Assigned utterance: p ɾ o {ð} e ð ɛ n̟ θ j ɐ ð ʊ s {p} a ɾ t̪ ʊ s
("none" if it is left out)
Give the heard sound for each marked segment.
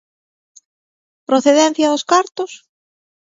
θ, k

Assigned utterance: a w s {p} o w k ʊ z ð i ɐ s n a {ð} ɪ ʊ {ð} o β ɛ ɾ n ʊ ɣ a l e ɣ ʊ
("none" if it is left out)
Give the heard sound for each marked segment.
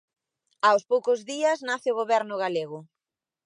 p, θ, ɣ

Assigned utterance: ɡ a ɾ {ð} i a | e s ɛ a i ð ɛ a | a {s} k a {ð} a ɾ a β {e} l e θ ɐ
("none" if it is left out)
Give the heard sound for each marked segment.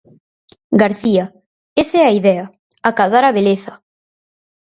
θ, none, ð, e

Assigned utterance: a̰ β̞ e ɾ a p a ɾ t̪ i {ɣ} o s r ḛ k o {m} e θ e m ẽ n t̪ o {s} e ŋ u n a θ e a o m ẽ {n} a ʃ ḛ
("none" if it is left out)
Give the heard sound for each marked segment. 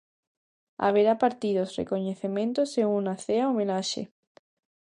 ð, ɲ, s, n

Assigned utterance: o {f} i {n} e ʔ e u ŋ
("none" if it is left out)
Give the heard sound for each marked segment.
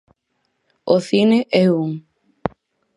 θ, n

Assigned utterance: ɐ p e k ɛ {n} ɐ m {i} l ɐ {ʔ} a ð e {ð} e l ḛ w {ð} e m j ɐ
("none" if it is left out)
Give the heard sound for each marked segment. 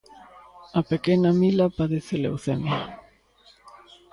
n, i, p, θ, θ

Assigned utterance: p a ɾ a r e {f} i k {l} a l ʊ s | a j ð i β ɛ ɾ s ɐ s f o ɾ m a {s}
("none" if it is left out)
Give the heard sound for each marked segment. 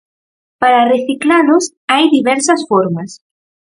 θ, l, s

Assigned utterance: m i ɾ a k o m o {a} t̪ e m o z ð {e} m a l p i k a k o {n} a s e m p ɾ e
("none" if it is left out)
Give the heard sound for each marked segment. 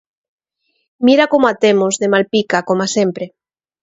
a, e, m

